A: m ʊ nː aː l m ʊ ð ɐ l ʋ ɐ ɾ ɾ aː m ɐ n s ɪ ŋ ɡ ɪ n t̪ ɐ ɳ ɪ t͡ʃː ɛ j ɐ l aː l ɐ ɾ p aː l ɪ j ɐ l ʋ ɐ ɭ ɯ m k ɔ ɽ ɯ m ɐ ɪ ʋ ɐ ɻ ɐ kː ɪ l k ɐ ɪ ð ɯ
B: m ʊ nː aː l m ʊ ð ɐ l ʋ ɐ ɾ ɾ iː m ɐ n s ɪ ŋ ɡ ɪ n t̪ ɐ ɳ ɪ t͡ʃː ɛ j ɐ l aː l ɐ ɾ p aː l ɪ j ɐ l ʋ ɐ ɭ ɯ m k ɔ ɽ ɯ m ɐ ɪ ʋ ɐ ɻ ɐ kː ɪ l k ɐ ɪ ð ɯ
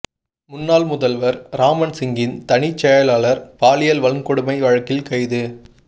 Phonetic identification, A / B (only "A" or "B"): A